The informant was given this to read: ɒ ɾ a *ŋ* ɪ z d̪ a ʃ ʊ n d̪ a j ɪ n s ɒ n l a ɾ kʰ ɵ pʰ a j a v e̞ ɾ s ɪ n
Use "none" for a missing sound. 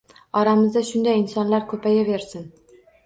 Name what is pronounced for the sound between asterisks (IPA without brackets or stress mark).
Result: m